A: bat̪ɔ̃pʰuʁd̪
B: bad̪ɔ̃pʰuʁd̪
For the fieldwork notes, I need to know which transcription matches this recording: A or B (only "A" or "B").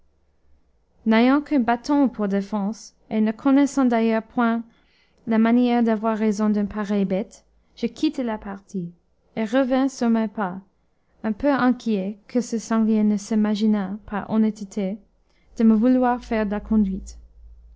A